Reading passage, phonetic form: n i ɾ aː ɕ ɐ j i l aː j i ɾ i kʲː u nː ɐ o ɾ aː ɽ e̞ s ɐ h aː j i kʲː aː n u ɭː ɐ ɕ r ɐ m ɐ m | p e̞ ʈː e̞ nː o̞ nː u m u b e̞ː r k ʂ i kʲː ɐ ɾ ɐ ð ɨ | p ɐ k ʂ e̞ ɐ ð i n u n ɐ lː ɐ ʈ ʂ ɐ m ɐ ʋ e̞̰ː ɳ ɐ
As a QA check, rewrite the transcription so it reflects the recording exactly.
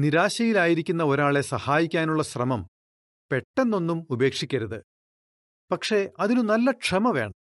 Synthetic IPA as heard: n i ɾ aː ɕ ɐ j i l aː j i ɾ i kʲː u nː ɐ o ɾ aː ɭ e̞ s ɐ h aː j i kʲː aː n u ɭː ɐ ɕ r ɐ m ɐ m | p e̞ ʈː e̞ nː o̞ nː u m u b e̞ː k ʂ i kʲː ɐ ɾ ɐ ð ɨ | p ɐ k ʂ e̞ ɐ ð i n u n ɐ lː ɐ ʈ ʂ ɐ m ɐ ʋ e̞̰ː ɳ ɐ